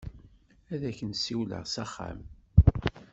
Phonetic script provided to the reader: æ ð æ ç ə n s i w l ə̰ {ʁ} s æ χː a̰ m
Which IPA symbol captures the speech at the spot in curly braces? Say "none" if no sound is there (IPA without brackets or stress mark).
ʁ